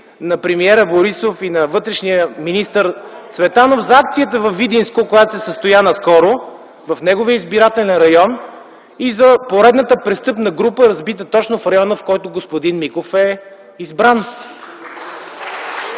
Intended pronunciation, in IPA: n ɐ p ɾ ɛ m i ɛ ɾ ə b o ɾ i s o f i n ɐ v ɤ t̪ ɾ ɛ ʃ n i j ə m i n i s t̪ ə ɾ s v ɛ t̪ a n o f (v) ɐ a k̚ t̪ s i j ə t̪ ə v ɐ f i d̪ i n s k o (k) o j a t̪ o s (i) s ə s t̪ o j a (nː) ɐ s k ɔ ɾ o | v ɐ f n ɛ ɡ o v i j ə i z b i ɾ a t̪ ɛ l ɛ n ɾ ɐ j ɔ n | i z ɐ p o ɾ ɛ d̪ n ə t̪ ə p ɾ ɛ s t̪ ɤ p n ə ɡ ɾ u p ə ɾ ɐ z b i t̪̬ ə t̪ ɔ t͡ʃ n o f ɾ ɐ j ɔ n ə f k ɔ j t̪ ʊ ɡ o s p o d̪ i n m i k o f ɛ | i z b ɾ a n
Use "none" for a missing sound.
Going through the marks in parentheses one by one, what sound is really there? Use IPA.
z, k, ɛ, n

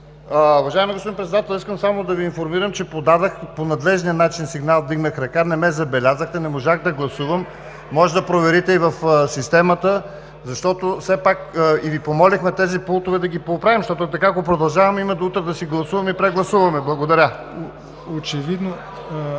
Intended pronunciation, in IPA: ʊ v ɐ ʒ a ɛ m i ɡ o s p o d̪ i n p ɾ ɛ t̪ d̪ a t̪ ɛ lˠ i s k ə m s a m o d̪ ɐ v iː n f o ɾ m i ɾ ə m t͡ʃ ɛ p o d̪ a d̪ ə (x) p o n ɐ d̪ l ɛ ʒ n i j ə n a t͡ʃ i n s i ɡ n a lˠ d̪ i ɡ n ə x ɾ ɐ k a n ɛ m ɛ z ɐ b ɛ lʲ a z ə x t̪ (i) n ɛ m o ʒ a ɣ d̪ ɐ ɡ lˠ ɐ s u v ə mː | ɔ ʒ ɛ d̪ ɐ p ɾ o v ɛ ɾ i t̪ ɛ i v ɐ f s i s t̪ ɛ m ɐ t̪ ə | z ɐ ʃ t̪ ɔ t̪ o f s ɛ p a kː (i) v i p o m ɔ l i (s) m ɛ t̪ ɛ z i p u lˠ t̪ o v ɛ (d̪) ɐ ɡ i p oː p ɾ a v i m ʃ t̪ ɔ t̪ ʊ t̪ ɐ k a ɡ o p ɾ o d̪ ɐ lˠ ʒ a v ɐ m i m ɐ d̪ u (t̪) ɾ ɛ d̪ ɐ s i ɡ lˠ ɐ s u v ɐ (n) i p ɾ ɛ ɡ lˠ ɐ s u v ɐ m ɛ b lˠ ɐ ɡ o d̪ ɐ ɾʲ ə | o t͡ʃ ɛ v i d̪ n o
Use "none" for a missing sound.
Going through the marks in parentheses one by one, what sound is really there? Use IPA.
x, ɛ, i, x, d̪, t̪, m

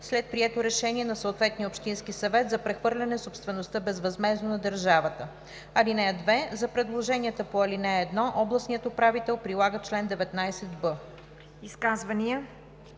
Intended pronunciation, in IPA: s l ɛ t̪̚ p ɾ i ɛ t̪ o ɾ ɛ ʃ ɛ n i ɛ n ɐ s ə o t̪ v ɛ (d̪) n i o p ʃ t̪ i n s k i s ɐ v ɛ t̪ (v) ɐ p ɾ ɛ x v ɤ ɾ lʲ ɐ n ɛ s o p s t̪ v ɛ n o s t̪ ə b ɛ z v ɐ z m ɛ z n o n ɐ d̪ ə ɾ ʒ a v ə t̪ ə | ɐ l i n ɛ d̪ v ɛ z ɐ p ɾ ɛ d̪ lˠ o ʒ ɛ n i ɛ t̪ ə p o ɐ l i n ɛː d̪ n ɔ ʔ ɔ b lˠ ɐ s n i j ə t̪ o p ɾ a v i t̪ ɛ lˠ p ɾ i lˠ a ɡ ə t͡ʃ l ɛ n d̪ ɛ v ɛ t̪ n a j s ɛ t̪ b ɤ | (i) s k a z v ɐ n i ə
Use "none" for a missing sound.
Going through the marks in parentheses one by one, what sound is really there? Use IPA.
t̪, z, i

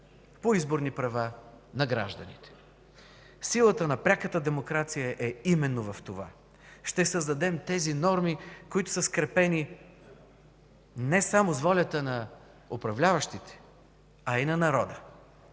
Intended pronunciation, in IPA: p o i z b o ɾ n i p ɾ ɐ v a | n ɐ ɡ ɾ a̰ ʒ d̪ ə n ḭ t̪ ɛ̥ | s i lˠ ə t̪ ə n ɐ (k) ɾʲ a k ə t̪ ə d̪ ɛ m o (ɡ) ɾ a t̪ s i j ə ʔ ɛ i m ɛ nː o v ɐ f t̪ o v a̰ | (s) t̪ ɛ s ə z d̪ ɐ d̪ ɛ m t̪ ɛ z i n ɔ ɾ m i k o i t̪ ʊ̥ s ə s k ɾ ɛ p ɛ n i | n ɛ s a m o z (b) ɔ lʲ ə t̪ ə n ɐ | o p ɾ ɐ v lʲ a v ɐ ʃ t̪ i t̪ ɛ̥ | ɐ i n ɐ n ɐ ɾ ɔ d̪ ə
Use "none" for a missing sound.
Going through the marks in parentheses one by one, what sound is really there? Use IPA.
p, k, ʃ, v

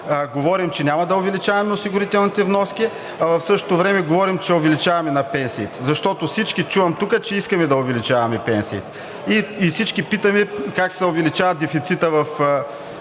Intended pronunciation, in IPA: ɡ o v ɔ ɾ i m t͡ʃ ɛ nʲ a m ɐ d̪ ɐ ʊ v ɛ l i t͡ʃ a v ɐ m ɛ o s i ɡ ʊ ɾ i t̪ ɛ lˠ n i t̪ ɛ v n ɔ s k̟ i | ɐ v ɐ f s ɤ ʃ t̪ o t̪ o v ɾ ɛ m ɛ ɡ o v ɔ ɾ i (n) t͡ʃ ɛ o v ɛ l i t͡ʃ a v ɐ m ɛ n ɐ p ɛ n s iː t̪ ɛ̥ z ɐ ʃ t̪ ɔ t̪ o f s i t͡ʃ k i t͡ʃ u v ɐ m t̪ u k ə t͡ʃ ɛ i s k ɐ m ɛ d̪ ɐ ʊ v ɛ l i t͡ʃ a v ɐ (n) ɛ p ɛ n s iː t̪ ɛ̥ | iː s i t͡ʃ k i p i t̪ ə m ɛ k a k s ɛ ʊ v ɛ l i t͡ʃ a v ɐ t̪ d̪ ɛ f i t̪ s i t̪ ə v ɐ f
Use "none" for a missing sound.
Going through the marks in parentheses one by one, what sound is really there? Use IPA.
m, m

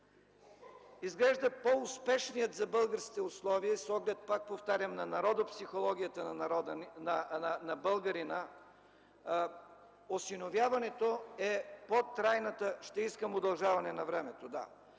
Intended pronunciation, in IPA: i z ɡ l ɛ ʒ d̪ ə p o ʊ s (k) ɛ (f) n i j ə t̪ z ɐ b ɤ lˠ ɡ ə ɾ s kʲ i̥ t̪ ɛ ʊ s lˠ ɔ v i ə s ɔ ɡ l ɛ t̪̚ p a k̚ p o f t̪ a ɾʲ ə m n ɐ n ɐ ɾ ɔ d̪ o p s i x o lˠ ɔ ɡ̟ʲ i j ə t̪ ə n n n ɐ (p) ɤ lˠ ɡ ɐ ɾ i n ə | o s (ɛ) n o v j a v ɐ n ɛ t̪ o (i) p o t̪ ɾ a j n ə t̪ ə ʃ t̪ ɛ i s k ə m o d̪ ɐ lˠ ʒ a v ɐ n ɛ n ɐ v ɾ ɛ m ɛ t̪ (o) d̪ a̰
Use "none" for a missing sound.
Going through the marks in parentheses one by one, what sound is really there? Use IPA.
p, ʃ, b, i, ɛ, o

